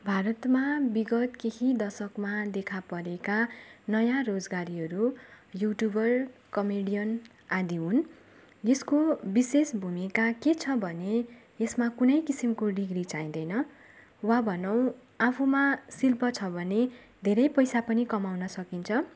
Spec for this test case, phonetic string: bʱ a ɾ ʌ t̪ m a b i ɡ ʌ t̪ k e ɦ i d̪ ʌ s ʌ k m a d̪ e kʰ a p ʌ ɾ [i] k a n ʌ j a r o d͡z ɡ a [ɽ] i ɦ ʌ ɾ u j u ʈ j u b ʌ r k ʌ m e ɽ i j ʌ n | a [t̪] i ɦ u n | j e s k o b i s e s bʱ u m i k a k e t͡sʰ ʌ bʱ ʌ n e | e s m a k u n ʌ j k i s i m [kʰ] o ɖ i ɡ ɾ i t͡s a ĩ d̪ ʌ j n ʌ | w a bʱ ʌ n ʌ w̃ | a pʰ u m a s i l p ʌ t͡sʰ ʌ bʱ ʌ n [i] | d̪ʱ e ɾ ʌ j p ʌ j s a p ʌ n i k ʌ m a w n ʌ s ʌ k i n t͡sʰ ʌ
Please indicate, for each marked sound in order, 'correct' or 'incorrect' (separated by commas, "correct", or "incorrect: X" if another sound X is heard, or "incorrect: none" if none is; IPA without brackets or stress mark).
incorrect: e, incorrect: ɾ, incorrect: d̪, incorrect: k, incorrect: e